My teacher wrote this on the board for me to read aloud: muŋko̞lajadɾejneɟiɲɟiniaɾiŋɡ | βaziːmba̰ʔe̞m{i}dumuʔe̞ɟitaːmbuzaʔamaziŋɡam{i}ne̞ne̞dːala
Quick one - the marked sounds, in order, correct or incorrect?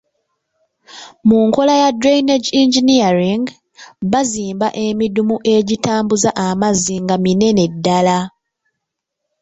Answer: correct, correct

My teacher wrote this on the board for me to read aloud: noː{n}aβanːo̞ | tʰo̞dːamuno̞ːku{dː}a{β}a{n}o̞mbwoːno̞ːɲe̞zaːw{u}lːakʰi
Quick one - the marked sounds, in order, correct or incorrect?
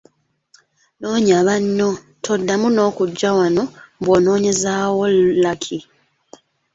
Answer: incorrect: ɲ, incorrect: ɟː, incorrect: w, correct, incorrect: o

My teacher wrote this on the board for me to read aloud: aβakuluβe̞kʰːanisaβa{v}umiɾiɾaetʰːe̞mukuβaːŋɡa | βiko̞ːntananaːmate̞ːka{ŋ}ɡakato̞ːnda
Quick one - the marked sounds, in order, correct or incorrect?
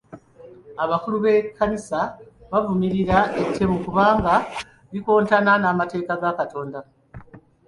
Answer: correct, incorrect: none

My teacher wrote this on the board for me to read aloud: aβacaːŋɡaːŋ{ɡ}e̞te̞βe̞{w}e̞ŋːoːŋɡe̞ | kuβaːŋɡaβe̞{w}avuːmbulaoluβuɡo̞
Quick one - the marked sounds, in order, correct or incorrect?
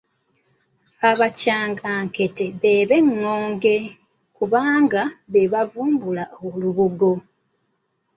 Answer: incorrect: k, incorrect: β, incorrect: β

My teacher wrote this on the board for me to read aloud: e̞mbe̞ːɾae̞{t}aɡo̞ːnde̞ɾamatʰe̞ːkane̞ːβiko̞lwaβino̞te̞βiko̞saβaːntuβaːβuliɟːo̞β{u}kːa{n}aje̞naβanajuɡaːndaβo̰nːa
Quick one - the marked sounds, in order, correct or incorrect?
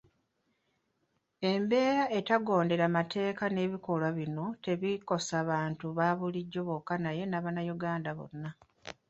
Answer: correct, incorrect: o, correct

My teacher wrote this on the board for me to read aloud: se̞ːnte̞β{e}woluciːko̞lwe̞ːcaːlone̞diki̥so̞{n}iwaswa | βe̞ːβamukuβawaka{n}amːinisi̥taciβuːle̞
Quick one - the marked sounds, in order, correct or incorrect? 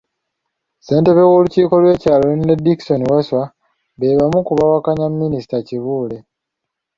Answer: correct, correct, incorrect: ɲ

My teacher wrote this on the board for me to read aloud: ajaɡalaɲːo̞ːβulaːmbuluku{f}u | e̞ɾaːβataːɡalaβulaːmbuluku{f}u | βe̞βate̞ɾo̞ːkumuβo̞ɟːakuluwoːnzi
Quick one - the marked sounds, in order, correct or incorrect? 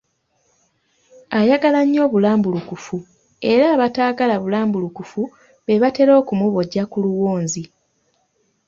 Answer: correct, correct

